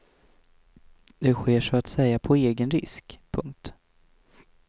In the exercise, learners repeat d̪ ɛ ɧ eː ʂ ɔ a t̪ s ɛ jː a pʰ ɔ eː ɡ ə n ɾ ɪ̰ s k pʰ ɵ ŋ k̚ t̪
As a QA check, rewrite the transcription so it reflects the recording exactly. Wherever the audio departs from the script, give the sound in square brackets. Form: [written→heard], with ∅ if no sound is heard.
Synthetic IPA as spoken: d̪ ɛ ɧ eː ʂ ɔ a t̪ s ɛ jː a pʰ ɔ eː ɡ ə n ɾ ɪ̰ s k pʰ ɵ ŋ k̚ t̪

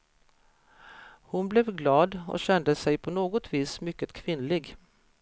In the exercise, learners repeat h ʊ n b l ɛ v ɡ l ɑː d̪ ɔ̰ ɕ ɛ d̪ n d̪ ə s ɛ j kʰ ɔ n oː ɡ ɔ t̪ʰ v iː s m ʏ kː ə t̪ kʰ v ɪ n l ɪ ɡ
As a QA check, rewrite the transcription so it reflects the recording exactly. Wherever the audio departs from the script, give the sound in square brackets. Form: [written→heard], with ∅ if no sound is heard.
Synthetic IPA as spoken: h ʊ n b l ɛ v ɡ l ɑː d̪ ɔ̰ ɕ ɛ [d̪→∅] n d̪ ə s ɛ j [kʰ→pʰ] ɔ n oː ɡ ɔ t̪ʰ v iː s m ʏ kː ə t̪ kʰ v ɪ n l ɪ ɡ

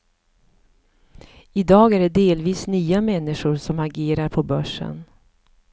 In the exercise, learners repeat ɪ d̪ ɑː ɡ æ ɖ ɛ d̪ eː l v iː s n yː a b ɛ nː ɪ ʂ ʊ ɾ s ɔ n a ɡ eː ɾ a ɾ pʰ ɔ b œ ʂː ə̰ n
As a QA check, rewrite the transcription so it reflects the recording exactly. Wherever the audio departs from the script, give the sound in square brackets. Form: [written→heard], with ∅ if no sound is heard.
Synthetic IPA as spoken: ɪ d̪ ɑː ɡ æ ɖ ɛ d̪ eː l v iː s n yː a [b→m] ɛ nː ɪ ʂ ʊ ɾ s ɔ [n→m] a ɡ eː ɾ a ɾ pʰ ɔ b œ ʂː ə̰ n

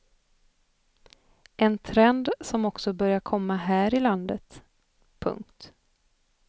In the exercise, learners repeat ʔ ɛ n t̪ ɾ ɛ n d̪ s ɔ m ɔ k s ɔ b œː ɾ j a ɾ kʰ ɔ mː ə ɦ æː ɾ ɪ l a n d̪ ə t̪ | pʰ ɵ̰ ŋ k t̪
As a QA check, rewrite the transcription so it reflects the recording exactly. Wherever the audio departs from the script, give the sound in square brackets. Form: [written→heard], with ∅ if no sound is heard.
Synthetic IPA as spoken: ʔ ɛ n [t̪→t̪ʰ] ɾ ɛ n d̪ s ɔ m ɔ k s ɔ b [œː→œ] ɾ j a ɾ kʰ ɔ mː [ə→a] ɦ æː ɾ ɪ l a n d̪ ə t̪ | pʰ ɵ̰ ŋ k t̪

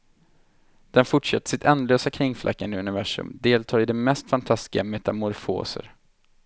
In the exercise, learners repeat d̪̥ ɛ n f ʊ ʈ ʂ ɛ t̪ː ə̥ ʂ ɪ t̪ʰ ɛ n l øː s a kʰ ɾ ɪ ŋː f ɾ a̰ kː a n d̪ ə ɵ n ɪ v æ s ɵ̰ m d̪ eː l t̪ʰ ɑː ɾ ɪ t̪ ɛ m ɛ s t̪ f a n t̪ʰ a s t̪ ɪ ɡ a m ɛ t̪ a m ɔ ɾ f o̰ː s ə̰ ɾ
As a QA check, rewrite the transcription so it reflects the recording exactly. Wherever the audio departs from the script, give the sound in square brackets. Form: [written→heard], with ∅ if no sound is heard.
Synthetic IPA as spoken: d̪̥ ɛ n f ʊ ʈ ʂ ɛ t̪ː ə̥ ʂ ɪ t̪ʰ ɛ n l øː s a kʰ ɾ ɪ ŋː f [ɾ→l] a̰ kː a n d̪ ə ɵ n ɪ v æ [s→ʂ] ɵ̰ m d̪ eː l t̪ʰ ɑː ɾ ɪ [t̪→d̪] ɛ m ɛ s t̪ f a n t̪ʰ a s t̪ ɪ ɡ a m ɛ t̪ a m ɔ ɾ f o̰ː s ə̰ ɾ

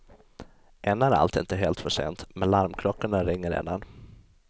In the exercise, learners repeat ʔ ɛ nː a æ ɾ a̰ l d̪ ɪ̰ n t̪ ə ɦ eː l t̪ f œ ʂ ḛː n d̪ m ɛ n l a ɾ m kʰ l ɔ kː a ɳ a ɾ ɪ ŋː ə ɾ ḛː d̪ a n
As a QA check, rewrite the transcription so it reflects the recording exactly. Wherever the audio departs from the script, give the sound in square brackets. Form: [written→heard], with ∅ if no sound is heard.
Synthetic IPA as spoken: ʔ ɛ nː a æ ɾ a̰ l [d̪→t̪] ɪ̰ n t̪ ə ɦ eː l t̪ f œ ʂ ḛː n [d̪→t̪] m ɛ n l a ɾ m kʰ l ɔ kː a ɳ a ɾ ɪ ŋː ə ɾ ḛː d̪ a n

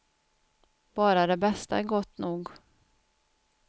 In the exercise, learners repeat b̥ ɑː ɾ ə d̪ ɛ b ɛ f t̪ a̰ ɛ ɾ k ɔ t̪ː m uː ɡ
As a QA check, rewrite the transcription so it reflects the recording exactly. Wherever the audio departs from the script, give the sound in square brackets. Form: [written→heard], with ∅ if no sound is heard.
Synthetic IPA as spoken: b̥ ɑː ɾ [ə→a] d̪ ɛ b ɛ [f→s] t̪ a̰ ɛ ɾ [k→ɡ] ɔ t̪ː [m→n] uː ɡ

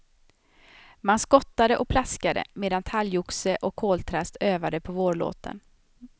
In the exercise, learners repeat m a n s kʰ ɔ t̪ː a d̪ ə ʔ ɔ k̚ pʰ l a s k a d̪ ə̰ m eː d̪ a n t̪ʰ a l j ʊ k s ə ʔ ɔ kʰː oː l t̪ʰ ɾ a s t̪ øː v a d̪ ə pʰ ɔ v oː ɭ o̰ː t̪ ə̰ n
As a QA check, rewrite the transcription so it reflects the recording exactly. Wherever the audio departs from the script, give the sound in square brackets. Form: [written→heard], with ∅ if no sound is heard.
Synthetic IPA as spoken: m a n s [kʰ→k] ɔ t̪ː a d̪ ə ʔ ɔ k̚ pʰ l a s k a d̪ ə̰ m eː d̪ a n t̪ʰ a l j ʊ k s ə ʔ ɔ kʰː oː l t̪ʰ ɾ a s t̪ øː v a d̪ ə pʰ ɔ v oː ɭ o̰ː t̪ ə̰ n

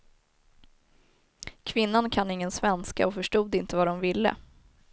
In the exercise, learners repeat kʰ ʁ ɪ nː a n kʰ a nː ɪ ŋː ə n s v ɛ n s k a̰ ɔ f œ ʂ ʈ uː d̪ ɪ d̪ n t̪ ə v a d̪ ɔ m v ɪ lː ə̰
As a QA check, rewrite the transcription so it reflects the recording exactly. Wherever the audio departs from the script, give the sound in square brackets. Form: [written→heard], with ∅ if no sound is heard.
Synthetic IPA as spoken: kʰ [ʁ→v] ɪ nː a n kʰ a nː ɪ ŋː ə n s v ɛ n s k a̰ ɔ f œ ʂ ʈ uː d̪ ɪ [d̪→∅] n t̪ ə v a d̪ ɔ m v ɪ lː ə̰

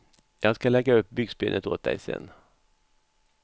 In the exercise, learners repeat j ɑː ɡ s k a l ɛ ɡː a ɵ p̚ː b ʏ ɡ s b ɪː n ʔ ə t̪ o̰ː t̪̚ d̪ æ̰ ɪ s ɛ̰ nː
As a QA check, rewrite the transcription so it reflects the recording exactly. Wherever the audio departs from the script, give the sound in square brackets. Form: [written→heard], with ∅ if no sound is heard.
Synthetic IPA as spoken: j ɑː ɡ s k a l ɛ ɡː a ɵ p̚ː b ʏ ɡ s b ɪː n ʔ ə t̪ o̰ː t̪̚ d̪ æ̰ ɪ s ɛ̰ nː

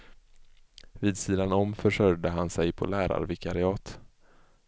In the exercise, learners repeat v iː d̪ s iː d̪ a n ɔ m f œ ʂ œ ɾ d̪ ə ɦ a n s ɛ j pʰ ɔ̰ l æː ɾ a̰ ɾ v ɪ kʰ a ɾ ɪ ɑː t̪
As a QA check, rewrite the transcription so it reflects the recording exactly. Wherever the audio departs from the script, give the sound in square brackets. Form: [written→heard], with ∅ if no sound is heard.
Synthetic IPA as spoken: v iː d̪ s iː d̪ a n ɔ m f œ ʂ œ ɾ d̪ ə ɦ a n s ɛ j pʰ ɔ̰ l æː ɾ a̰ ɾ v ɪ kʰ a ɾ ɪ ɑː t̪

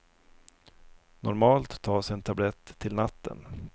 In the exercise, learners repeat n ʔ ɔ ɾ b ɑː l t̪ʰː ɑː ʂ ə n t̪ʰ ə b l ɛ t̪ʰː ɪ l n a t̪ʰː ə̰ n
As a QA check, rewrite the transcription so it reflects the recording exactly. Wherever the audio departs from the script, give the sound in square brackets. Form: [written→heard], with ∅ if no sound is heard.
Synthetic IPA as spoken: n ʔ ɔ ɾ [b→m] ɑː l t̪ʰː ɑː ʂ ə n t̪ʰ [ə→a] b l ɛ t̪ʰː ɪ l n a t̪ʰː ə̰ n

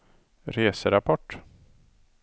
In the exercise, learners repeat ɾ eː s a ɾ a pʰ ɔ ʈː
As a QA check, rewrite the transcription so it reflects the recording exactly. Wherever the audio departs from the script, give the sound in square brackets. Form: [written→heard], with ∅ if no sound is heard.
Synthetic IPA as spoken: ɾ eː s [a→ə] ɾ a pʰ ɔ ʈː

